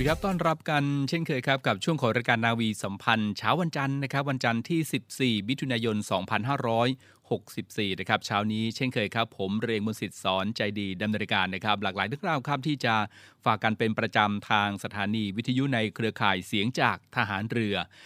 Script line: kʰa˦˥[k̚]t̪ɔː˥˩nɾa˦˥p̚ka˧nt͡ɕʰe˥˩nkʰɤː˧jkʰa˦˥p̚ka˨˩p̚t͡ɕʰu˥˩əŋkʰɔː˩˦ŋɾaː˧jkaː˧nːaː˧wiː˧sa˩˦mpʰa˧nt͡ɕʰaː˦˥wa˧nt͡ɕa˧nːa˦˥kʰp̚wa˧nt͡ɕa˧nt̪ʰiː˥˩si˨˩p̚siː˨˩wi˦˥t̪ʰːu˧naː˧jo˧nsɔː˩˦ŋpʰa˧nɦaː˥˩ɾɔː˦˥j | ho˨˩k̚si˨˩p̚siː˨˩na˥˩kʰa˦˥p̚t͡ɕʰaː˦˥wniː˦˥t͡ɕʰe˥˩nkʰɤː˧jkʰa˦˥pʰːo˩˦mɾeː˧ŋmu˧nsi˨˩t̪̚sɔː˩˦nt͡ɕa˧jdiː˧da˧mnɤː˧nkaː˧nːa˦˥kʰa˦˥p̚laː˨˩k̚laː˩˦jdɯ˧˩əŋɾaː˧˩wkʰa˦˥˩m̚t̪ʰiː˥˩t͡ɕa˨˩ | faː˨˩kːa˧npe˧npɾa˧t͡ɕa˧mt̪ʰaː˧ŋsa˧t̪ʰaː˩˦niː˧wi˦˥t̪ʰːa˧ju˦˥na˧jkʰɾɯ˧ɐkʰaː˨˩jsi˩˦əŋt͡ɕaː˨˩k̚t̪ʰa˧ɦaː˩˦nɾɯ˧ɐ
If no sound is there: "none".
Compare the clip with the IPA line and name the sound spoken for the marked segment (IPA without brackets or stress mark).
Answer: p̚